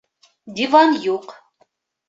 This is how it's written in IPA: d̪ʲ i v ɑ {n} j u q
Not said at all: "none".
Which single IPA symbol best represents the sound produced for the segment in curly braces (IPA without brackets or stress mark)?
n